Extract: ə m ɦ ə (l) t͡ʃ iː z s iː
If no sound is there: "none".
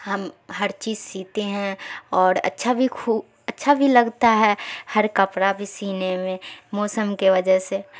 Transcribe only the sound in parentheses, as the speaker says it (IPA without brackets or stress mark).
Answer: ɾ